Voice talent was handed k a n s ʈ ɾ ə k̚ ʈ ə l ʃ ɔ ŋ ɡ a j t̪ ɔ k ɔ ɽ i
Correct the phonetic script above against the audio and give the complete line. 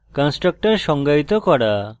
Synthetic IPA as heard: k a n s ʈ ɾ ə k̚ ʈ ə ɾ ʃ ɔ ŋ ɡ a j t̪ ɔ k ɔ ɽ a